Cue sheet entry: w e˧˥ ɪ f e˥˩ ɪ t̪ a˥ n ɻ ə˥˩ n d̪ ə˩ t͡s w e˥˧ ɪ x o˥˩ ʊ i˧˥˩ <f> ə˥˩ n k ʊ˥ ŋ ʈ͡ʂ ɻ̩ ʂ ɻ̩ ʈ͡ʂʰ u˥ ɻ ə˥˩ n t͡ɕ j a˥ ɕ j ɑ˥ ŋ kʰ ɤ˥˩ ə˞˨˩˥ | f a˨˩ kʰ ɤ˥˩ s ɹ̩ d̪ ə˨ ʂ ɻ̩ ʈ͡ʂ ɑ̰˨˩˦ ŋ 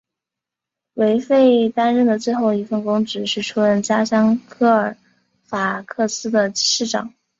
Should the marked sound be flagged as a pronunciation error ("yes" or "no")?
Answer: no